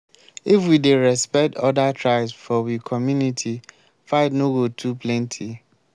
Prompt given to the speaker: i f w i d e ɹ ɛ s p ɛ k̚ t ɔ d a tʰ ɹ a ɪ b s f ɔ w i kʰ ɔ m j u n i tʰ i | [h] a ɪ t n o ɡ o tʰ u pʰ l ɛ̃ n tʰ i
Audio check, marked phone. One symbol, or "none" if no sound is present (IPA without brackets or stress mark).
f